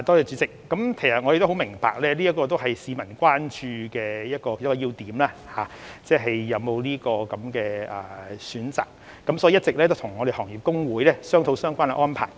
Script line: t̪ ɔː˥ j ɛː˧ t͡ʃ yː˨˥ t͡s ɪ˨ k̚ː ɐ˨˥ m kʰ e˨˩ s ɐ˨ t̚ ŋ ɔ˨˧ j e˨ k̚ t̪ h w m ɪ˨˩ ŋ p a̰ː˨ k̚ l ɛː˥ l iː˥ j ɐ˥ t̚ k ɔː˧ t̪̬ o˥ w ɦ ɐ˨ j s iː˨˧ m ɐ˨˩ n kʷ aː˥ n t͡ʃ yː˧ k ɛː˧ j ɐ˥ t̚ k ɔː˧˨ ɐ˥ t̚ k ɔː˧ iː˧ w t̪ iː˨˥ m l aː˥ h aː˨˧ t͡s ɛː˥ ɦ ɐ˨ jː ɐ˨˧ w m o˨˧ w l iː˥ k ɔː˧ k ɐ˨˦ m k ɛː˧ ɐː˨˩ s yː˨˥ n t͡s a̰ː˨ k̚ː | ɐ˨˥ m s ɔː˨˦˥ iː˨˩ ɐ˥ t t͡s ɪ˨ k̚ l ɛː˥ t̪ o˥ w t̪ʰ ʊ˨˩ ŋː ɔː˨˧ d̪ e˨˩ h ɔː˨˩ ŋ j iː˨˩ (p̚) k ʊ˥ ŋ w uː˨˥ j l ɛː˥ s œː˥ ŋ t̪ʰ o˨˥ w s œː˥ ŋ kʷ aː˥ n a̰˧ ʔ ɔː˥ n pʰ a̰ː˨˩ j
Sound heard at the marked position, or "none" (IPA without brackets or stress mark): p̚